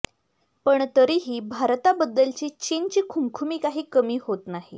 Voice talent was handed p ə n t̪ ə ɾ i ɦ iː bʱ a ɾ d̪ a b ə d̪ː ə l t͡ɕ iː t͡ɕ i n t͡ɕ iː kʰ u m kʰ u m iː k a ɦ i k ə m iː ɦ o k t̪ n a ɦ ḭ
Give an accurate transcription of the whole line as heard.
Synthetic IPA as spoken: p ə ɳ t̪ ə ɾ i ɦ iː bʱ a ɾ t̪ a b ə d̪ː ə l t͡ɕ iː t͡ɕ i n t͡ɕ iː kʰ u m kʰ u m iː k a ɦ iː k ə m iː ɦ o t̪ n a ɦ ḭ